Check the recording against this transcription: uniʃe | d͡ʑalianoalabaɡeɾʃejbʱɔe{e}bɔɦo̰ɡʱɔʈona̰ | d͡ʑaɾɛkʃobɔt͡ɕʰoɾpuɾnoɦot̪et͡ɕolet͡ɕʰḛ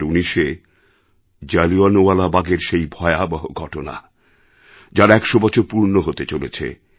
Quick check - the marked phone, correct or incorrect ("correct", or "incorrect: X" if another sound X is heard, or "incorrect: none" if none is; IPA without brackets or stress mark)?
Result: incorrect: a